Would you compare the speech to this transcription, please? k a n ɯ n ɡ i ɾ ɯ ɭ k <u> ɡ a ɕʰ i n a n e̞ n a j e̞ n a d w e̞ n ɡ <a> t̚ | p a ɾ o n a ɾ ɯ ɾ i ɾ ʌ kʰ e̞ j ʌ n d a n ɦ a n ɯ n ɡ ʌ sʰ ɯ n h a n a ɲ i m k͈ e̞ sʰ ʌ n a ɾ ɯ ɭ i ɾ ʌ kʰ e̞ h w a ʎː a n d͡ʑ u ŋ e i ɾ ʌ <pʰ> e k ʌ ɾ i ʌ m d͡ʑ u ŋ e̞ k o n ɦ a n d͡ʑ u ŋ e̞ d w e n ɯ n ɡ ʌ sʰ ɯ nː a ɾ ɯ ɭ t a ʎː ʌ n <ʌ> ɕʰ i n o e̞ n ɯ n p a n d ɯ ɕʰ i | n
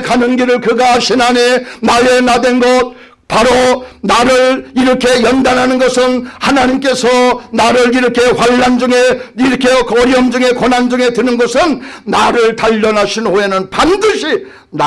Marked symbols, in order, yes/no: no, no, no, no

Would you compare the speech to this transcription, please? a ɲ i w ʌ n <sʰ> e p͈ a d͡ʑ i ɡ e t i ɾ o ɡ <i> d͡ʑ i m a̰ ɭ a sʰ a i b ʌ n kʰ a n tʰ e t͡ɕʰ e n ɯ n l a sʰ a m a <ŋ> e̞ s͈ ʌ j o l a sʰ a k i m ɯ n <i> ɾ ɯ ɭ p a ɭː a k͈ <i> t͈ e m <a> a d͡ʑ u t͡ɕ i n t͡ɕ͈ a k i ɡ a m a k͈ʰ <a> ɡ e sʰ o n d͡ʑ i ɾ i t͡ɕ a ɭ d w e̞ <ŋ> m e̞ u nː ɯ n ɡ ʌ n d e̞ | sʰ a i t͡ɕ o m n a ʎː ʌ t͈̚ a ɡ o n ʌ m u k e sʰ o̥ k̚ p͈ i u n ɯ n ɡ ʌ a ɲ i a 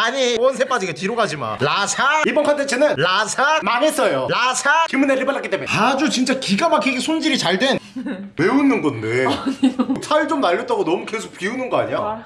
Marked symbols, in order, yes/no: yes, no, yes, no, yes, no, no, no

